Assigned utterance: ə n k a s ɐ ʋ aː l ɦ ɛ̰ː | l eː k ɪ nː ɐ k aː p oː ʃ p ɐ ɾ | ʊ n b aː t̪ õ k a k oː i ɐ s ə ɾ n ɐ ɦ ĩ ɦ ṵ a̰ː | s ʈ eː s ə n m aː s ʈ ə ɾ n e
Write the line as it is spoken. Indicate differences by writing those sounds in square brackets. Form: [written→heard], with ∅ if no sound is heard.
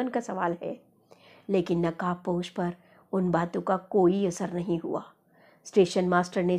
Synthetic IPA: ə n k a s ɐ ʋ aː l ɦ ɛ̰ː | l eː k ɪ nː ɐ k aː p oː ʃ p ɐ ɾ | ʊ n b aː t̪ õ k a k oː i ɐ s ə ɾ n ɐ ɦ ĩ ɦ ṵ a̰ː | s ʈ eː [s→ʃ] ə n m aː s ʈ ə ɾ n e